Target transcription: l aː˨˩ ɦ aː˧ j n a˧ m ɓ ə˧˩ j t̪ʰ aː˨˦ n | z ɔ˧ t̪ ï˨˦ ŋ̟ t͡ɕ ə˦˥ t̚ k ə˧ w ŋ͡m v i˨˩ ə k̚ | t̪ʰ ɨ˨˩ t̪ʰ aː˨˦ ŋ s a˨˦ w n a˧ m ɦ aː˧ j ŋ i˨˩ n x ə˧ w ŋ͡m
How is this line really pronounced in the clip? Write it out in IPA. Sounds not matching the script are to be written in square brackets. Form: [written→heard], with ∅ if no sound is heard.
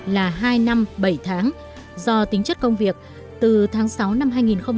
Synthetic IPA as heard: l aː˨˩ ɦ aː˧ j n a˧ m ɓ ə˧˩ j t̪ʰ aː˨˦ [n→ŋ] | z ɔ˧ t̪ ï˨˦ ŋ̟ t͡ɕ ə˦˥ t̚ k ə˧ w ŋ͡m v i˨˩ ə k̚ | [t̪ʰ→t̪] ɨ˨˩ t̪ʰ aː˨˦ ŋ s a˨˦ w n a˧ m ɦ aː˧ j ŋ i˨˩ n x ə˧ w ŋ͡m